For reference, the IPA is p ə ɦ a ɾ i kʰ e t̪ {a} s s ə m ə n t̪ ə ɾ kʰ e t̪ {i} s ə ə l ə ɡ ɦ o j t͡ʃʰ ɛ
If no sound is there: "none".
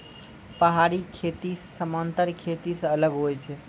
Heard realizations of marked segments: i, i

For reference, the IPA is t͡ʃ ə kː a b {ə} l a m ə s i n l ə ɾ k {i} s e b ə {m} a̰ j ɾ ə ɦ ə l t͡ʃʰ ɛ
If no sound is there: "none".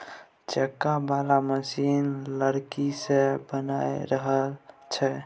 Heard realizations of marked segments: a, i, n

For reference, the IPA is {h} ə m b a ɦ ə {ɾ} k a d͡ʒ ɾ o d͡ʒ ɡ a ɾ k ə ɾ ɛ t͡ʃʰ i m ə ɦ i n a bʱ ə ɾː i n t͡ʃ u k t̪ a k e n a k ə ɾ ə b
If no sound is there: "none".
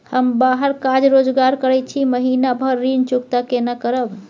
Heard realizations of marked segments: h, ɾ

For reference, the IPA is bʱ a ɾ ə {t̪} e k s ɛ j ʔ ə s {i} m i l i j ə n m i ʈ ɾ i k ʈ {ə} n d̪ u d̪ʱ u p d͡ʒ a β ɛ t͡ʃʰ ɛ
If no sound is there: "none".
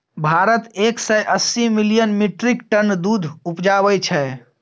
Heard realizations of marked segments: t̪, i, ə

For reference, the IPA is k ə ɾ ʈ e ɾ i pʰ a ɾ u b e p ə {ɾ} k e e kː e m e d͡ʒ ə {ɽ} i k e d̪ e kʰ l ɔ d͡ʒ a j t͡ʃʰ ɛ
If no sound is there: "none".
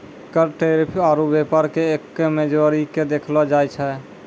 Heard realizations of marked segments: ɾ, ɾ

